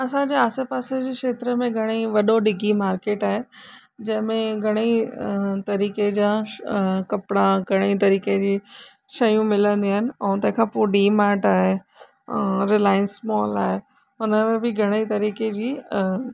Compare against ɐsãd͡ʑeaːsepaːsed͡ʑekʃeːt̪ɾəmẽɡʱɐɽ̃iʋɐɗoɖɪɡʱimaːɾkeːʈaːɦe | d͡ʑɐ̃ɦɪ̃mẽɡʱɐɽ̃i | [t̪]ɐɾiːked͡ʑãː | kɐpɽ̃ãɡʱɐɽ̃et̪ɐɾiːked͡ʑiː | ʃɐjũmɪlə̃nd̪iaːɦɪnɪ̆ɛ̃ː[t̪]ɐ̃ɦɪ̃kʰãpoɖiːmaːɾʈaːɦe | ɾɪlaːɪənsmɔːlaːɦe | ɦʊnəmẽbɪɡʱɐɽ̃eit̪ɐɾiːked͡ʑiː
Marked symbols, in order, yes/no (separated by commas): yes, yes